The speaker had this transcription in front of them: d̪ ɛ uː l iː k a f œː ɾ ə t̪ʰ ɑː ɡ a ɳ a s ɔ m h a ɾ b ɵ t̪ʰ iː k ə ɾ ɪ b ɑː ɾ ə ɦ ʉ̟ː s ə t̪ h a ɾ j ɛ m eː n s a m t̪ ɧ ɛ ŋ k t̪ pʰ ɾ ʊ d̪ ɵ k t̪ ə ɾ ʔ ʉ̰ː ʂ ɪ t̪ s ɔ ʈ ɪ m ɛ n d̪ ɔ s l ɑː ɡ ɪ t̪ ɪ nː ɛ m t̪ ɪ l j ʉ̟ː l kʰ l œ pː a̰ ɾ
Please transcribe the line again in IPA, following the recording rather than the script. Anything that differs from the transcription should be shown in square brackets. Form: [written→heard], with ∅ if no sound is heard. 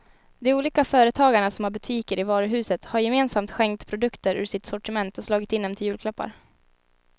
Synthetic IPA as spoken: d̪ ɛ uː l iː k a f œː ɾ ə t̪ʰ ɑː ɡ a ɳ a s ɔ m h a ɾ b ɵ t̪ʰ iː k ə ɾ ɪ [b→v] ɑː ɾ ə ɦ ʉ̟ː s ə t̪ h a ɾ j ɛ m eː n s a m t̪ ɧ ɛ ŋ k t̪ pʰ ɾ ʊ d̪ ɵ k t̪ ə ɾ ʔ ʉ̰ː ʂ ɪ t̪ s ɔ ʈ ɪ m ɛ n [d̪→t̪] ɔ s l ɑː ɡ ɪ t̪ ɪ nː ɛ m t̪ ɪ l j ʉ̟ː l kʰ l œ pː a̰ ɾ